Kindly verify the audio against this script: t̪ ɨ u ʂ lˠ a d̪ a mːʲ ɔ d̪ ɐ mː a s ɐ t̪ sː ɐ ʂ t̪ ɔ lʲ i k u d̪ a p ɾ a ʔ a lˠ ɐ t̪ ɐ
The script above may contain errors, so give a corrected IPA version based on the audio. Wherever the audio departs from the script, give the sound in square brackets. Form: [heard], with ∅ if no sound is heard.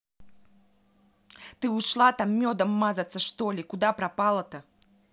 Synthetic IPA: t̪ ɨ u ʂ lˠ a [t̪] a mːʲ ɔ d̪ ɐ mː a [z] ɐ t̪ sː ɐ ʂ t̪ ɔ lʲ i k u d̪ a p ɾ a [p] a lˠ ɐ t̪ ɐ